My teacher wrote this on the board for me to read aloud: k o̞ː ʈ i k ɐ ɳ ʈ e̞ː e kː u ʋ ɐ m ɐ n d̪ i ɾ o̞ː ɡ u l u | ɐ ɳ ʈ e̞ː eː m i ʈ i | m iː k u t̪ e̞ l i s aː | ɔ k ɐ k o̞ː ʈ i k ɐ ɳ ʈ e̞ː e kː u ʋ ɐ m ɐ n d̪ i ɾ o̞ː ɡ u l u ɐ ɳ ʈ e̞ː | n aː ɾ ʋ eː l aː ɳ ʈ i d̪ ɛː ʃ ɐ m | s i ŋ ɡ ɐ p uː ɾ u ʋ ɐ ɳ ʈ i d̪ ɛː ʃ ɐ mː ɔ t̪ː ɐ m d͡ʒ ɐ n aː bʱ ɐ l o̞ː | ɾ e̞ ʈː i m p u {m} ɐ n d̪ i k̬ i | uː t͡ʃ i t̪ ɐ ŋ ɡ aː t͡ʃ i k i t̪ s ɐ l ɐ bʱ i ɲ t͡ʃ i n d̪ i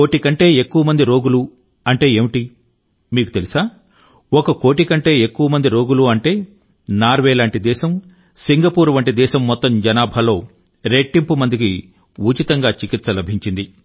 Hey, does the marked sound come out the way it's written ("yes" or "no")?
yes